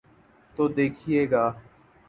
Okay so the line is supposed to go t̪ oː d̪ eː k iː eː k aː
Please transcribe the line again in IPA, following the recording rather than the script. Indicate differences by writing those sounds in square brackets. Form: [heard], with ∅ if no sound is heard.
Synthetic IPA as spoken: t̪ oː d̪ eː [kʰ] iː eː [ɡ] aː